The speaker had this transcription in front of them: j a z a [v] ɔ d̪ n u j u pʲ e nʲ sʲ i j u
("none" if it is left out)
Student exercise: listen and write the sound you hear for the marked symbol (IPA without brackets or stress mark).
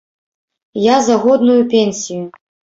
ɣ